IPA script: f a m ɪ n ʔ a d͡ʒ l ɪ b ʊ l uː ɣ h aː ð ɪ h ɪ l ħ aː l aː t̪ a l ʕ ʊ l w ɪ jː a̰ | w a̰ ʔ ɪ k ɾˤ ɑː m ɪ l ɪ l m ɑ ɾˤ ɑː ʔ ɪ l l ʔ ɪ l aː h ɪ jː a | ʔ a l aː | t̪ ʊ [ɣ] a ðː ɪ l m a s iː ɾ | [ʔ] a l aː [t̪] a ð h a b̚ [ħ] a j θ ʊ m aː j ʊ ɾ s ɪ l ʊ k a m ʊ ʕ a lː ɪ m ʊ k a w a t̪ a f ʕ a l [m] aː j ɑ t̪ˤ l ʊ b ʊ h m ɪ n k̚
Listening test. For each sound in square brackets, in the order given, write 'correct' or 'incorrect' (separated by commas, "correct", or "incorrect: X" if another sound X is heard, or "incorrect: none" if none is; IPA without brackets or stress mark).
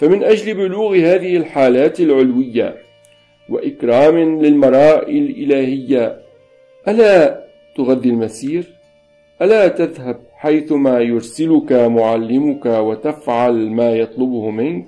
correct, correct, correct, correct, correct